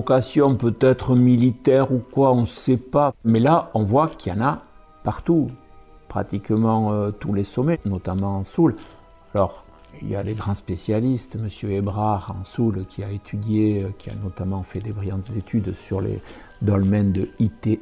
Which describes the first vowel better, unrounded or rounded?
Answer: unrounded